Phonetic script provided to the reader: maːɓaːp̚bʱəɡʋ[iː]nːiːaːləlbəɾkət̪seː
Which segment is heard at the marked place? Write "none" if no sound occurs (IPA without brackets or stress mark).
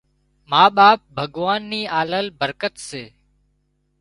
aː